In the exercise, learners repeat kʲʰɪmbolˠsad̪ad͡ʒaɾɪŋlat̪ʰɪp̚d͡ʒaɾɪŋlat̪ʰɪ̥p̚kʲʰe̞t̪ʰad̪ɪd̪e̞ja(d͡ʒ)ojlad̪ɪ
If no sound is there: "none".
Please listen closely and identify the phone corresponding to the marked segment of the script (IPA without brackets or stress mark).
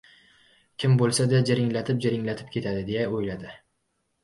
none